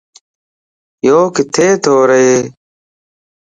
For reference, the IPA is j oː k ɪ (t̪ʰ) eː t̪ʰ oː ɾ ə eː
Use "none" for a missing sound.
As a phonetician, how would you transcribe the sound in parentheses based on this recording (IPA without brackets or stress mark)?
t̪ʰ